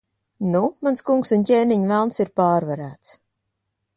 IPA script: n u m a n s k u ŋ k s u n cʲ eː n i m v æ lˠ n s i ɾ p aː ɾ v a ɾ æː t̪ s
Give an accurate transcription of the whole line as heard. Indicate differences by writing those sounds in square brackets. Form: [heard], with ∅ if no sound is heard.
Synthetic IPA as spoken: n u m a n s k u ŋ k s u n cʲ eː n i [ɲ] v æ lˠ n s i ɾ p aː ɾ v a ɾ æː t̪ s